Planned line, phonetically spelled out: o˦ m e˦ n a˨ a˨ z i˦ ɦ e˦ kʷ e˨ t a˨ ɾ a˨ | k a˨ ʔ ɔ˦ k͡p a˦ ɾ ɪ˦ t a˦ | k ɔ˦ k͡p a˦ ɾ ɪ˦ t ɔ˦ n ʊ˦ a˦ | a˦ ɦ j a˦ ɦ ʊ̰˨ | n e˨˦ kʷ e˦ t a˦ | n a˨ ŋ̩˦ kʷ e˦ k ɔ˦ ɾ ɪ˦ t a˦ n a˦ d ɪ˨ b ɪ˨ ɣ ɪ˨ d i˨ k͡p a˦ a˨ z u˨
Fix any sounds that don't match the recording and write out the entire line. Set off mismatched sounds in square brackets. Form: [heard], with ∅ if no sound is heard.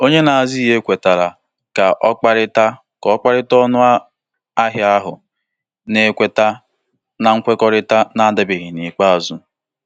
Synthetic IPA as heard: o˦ [ɲ] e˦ n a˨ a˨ z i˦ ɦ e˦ kʷ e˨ t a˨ ɾ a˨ | k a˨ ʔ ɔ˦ k͡p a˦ ɾ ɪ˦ t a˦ | k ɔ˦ k͡p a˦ ɾ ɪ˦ t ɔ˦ n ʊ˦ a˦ | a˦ ɦ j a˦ ɦ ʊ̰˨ | n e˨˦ kʷ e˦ t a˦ | n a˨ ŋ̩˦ kʷ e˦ k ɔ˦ ɾ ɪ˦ t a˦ n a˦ d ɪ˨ b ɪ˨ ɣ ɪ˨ [n] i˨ k͡p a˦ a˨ z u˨